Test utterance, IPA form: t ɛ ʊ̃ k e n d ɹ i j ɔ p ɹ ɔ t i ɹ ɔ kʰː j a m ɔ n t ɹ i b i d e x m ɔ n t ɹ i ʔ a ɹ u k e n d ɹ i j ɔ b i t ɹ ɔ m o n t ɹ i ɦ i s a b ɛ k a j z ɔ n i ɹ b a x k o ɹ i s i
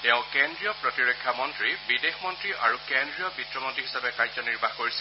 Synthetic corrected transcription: t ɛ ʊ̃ k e n d ɹ i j ɔ p ɹ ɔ t i ɹ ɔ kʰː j a m ɔ n t ɹ i b i d e x m ɔ n t ɹ i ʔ a ɹ u k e n d ɹ i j ɔ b i t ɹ ɔ m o n t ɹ i ɦ i s a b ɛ k a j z ɔ n i ɹ b a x k o ɹ i s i